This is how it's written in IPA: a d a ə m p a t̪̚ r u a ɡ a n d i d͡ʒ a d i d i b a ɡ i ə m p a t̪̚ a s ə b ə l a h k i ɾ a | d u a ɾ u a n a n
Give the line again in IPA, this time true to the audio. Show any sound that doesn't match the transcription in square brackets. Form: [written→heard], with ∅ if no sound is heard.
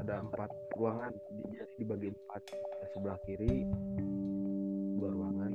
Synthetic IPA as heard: a d a ə m p a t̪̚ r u a [ɡ→ŋ] a n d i d͡ʒ a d i d i b a ɡ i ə m p a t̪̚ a s ə b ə l a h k i ɾ [a→i] | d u a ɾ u a [n→ŋ] a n